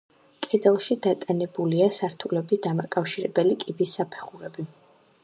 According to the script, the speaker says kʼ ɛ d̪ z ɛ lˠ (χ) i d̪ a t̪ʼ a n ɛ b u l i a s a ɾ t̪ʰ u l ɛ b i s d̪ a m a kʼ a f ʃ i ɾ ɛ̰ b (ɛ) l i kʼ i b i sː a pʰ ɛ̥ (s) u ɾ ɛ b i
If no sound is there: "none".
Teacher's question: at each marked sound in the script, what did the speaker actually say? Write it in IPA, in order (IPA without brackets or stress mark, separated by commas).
ʃ, ɛ, χ